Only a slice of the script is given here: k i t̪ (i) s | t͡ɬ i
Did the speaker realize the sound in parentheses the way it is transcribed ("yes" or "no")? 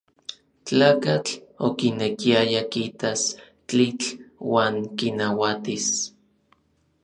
no